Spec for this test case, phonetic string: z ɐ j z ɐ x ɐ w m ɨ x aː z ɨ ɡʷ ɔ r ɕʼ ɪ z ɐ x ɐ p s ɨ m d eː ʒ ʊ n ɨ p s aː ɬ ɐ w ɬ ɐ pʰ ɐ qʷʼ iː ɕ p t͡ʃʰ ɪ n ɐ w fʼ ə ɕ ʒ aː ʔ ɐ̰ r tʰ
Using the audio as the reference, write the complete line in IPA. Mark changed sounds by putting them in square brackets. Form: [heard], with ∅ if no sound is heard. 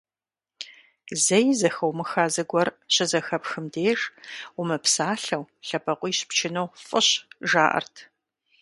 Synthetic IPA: z ɐ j z ɐ x ɐ w m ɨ x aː z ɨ ɡʷ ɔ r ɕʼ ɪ z ɐ x ɐ p [x] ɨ m d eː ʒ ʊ [m] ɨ p s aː ɬ ɐ w ɬ ɐ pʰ ɐ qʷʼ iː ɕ p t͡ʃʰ ɪ n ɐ w fʼ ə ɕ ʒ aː ʔ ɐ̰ r tʰ